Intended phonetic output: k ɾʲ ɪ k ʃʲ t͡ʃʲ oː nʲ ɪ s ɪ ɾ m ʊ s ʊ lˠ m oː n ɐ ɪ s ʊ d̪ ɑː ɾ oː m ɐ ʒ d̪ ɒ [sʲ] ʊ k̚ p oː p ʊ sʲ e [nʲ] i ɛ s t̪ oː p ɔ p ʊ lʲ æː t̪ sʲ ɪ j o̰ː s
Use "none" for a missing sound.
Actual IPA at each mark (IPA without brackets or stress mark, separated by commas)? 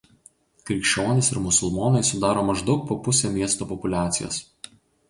none, mʲ